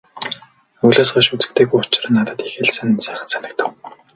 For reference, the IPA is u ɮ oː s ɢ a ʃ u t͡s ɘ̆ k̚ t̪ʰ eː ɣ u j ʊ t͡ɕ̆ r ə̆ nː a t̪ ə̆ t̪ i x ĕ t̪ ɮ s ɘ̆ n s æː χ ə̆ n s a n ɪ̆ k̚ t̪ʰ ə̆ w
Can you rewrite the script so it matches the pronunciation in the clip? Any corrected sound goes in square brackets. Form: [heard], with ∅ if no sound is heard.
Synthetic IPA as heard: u ɮ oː s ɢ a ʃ u t͡s ɘ̆ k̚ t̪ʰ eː ɣ u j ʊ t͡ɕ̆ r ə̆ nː a t̪ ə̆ t̪ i x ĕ [∅] ɮ s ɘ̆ n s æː χ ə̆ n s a n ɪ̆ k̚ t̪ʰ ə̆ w